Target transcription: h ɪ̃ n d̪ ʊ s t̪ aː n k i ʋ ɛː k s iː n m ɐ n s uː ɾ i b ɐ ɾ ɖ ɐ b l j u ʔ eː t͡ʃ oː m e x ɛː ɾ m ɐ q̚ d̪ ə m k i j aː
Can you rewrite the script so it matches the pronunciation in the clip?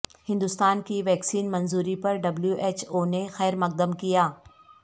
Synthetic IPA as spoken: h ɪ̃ n d̪ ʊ s t̪ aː n k i ʋ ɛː k s iː n m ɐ n z uː ɾ i p ɐ ɾ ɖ ɐ b l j u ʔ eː t͡ʃ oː n e x ɛː ɾ m ɐ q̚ d̪ ə m k i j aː